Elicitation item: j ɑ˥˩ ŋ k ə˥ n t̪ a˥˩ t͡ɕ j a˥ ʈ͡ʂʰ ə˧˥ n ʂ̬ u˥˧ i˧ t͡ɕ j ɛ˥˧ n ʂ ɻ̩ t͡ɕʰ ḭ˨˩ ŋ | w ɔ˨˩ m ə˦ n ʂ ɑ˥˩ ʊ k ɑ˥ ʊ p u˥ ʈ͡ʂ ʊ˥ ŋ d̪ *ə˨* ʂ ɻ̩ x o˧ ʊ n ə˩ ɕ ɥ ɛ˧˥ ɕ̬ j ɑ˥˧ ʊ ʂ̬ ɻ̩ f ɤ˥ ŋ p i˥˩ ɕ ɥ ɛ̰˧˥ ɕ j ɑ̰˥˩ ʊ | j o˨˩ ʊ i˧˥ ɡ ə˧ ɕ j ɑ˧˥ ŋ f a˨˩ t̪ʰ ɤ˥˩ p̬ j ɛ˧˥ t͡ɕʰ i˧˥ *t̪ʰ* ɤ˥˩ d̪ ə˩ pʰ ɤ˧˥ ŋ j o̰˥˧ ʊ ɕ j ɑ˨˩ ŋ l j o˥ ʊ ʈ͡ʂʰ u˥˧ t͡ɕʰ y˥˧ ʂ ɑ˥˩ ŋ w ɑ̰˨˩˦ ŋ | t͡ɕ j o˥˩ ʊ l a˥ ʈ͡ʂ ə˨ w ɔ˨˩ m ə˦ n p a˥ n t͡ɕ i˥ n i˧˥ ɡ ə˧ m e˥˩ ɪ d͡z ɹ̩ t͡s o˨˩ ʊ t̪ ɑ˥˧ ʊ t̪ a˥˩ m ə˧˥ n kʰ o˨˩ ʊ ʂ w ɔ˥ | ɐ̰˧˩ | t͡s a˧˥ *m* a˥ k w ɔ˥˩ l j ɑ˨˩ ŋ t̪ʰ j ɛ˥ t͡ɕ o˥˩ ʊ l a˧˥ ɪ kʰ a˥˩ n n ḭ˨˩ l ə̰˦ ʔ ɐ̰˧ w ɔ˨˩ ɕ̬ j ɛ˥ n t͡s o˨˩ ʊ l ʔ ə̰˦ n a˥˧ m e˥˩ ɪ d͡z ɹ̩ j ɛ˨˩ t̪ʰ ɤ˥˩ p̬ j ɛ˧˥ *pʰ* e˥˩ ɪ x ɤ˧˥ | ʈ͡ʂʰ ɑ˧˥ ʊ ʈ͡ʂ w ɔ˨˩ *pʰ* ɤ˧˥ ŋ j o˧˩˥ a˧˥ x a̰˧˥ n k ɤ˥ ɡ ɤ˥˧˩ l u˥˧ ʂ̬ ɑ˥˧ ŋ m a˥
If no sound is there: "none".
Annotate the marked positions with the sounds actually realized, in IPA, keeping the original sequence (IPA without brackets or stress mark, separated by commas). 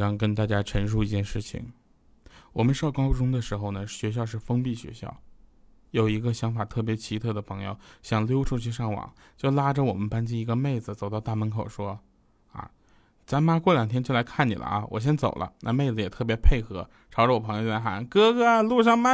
ə˨, t̪ʰ, m, pʰ, pʰ